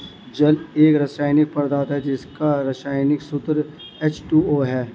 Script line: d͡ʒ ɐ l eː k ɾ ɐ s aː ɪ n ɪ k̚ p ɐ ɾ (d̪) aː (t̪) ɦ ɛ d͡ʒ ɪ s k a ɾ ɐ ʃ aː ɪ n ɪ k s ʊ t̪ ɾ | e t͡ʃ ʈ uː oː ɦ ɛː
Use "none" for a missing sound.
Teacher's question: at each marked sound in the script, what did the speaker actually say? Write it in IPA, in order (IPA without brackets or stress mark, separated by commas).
d̪, t̪